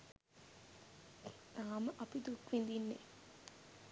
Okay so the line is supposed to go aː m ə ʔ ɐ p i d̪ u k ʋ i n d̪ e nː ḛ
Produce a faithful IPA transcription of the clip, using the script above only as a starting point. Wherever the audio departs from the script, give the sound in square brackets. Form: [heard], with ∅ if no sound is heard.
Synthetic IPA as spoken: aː m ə ʔ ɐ p i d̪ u k ʋ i n d̪ [i] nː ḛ

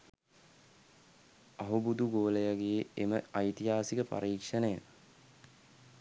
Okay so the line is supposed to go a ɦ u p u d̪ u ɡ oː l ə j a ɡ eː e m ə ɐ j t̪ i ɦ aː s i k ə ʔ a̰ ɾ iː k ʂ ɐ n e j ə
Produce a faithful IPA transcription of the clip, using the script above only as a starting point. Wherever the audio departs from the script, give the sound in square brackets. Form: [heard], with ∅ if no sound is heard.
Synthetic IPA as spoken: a ɦ u [b] u d̪ u ɡ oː l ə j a ɡ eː e m ə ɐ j t̪ i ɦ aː s i k ə [p] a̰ ɾ iː k ʂ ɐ n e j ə

